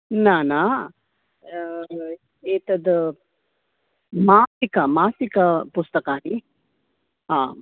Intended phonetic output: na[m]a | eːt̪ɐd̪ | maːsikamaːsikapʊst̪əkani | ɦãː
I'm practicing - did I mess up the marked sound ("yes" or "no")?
yes